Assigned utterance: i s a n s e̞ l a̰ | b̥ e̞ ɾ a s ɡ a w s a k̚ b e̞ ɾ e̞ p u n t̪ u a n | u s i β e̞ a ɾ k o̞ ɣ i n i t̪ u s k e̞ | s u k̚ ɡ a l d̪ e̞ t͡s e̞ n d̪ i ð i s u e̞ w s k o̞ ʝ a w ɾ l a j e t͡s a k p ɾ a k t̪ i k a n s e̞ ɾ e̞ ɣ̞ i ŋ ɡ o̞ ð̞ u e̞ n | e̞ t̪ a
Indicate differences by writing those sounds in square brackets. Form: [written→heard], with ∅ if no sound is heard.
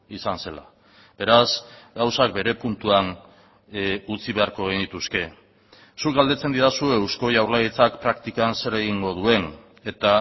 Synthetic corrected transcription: i s a n s e̞ l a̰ | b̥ e̞ ɾ a s ɡ a w s a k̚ b e̞ ɾ e̞ p u n t̪ u a n | u [s→t͡s] i β e̞ a ɾ k o̞ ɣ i n i t̪ u s k e̞ | s u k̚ ɡ a l d̪ e̞ t͡s e̞ n d̪ i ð [i→a] s u e̞ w s k o̞ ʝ a w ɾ l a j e t͡s a k p ɾ a k t̪ i k a n s e̞ ɾ e̞ ɣ̞ i ŋ ɡ o̞ ð̞ u e̞ n | e̞ t̪ a

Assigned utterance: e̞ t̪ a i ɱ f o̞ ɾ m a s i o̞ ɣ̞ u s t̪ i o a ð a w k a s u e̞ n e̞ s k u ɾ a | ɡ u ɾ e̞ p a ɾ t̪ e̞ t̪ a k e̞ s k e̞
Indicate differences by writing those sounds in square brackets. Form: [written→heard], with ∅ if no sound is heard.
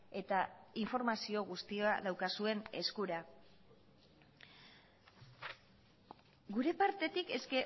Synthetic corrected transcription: e̞ t̪ a i ɱ f o̞ ɾ m a s i o̞ ɣ̞ u s t̪ i o a ð a w k a s u e̞ n e̞ s k u ɾ a | ɡ u ɾ e̞ p a ɾ t̪ e̞ t̪ [a→i] k e̞ s k e̞

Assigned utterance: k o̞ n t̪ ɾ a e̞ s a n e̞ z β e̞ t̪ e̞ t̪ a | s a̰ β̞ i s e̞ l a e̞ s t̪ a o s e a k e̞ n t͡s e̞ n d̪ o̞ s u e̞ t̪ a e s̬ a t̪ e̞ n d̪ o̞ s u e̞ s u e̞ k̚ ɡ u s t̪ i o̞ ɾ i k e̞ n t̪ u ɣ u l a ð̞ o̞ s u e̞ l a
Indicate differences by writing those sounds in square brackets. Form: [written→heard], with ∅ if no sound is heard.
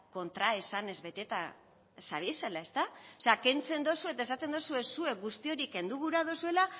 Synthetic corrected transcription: k o̞ n t̪ ɾ a e̞ s a n e̞ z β e̞ t̪ e̞ t̪ a | s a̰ β̞ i s e̞ l a e̞ s t̪ a o s e a k e̞ n t͡s e̞ n d̪ o̞ s u e̞ t̪ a e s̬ a t̪ e̞ n d̪ o̞ s u e̞ s u e̞ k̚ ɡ u s t̪ i o̞ ɾ i k e̞ n [t̪→d̪] u ɣ u [l→ɾ] a ð̞ o̞ s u e̞ l a

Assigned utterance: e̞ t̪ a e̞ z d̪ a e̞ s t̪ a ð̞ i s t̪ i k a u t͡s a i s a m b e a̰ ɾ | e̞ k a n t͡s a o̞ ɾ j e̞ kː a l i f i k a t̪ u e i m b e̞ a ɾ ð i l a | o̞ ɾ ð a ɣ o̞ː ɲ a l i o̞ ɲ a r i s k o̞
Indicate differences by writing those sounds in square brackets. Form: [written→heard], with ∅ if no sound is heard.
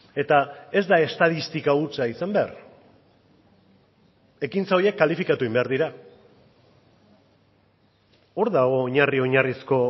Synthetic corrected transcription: e̞ t̪ a e̞ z d̪ a e̞ s t̪ a ð̞ i s t̪ i k a u t͡s a i s a m b e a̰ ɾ | e̞ k [a→i] n t͡s a o̞ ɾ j e̞ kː a l i f i k a t̪ u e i m b e̞ a ɾ ð i [l→ɾ] a | o̞ ɾ ð a ɣ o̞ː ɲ a [l→r] i o̞ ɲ a r i s k o̞

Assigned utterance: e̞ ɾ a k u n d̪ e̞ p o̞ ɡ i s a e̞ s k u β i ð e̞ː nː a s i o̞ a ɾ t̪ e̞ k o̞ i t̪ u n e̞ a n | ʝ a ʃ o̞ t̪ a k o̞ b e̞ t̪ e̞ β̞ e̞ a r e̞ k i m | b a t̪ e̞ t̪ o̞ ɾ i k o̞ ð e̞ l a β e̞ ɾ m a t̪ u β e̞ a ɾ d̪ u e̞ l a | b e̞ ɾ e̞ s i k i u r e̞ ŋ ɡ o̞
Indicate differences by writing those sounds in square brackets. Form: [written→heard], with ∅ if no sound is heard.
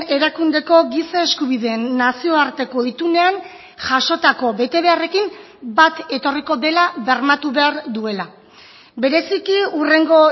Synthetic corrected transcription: e̞ ɾ a k u n d̪ e̞ [p→k] o̞ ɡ i s a e̞ s k u β i ð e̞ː nː a s i o̞ a ɾ t̪ e̞ k o̞ i t̪ u n e̞ a n | ʝ a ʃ o̞ t̪ a k o̞ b e̞ t̪ e̞ β̞ e̞ a r e̞ k i m | b a t̪ e̞ t̪ o̞ [ɾ→r] i k o̞ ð e̞ l a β e̞ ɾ m a t̪ u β e̞ a ɾ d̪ u e̞ l a | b e̞ ɾ e̞ s i k i u r e̞ ŋ ɡ o̞

